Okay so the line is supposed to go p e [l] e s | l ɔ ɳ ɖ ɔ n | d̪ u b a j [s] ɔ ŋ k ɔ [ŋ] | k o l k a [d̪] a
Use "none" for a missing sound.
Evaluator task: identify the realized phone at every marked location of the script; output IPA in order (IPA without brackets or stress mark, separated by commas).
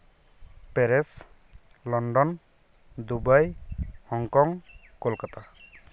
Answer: ɾ, h, ŋ, t̪